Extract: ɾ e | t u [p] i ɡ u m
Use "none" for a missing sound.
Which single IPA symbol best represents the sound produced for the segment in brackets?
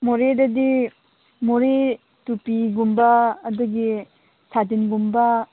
p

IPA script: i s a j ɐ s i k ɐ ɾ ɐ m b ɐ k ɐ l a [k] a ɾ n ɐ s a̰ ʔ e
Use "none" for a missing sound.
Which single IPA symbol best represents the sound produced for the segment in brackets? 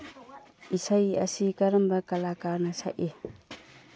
k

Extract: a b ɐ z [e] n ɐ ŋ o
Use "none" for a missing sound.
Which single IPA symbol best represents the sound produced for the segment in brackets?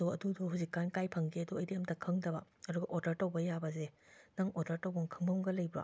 e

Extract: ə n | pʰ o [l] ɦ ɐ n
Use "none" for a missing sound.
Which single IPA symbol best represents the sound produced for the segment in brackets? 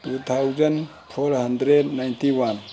ɾ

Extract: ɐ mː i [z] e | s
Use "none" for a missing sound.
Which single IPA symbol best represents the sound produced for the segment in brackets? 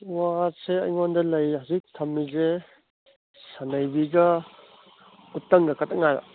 z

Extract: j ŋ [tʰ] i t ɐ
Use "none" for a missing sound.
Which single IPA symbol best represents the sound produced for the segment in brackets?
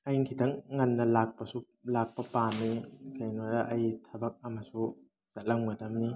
kʰ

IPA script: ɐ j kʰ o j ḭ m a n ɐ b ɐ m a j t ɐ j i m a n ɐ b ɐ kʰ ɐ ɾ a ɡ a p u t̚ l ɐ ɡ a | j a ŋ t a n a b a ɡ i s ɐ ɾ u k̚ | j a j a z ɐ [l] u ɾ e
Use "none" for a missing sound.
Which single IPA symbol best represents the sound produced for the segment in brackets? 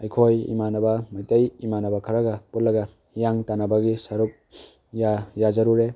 ɾ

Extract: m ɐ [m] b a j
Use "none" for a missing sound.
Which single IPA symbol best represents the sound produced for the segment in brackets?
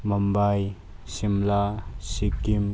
m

